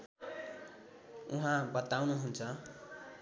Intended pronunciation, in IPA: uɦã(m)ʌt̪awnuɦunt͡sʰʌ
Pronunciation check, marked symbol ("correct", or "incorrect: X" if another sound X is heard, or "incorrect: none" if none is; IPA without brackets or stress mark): incorrect: b